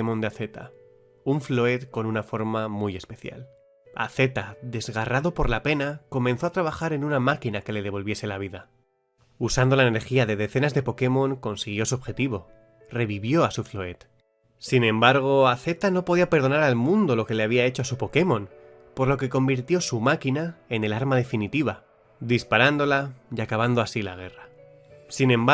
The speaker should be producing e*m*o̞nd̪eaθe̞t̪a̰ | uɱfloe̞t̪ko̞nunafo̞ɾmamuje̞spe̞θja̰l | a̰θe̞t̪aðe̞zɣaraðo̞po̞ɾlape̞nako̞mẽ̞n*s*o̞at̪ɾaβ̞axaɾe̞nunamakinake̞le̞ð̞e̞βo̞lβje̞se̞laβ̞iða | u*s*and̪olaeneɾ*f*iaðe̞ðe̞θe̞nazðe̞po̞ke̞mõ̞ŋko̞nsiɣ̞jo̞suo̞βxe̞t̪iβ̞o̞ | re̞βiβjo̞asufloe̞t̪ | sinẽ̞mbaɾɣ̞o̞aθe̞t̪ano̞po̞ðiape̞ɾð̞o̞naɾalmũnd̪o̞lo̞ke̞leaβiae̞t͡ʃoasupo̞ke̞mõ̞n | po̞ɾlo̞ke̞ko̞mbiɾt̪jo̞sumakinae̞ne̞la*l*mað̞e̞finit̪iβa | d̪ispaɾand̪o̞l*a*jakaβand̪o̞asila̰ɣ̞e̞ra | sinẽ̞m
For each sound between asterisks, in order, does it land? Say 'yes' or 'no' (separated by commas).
yes, no, yes, no, no, yes